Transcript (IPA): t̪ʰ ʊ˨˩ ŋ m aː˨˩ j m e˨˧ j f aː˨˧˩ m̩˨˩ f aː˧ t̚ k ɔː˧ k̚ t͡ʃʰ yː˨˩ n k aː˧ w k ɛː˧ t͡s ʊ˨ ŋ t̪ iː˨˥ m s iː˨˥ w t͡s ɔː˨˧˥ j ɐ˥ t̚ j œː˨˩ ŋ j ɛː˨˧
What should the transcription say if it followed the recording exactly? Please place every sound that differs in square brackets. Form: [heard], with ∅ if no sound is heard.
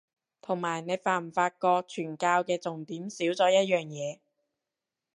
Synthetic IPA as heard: t̪ʰ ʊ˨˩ ŋ m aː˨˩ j [n] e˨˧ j f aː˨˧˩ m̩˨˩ f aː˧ t̚ k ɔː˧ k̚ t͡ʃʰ yː˨˩ n k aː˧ w k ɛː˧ t͡s ʊ˨ ŋ t̪ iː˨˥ m s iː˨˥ w t͡s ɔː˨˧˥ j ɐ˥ t̚ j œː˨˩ ŋ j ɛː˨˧